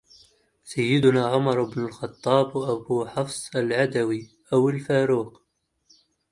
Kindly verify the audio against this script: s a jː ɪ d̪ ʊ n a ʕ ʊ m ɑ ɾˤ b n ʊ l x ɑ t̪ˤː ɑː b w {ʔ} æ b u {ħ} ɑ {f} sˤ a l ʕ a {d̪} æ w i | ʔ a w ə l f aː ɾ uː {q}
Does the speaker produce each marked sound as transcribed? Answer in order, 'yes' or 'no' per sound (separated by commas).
yes, yes, yes, yes, yes